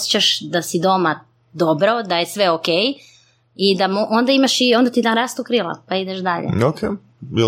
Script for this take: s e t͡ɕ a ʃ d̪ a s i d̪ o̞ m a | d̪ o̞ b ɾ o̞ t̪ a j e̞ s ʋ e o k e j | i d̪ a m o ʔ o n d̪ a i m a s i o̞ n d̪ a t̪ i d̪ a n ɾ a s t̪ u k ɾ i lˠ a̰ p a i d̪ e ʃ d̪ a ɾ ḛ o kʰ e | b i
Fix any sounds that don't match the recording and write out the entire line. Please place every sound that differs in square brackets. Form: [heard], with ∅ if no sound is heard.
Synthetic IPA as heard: s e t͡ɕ a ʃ d̪ a s i d̪ o̞ m a | d̪ o̞ b ɾ o̞ [d̪] a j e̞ s ʋ e o k e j | i d̪ a m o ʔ o n d̪ a i m a [ʃ] i o̞ n d̪ a t̪ i d̪ a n ɾ a s t̪ u k ɾ i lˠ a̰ p a i d̪ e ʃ d̪ a [ʎ] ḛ o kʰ e | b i